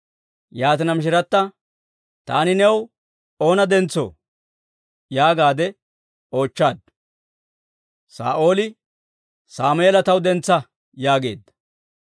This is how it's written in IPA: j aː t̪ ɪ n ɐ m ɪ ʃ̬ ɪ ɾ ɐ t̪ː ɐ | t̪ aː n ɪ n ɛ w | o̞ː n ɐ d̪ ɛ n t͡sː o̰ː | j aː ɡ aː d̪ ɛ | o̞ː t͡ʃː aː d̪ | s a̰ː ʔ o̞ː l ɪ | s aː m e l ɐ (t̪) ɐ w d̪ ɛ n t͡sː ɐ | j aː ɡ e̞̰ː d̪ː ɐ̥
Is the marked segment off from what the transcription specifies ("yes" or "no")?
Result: no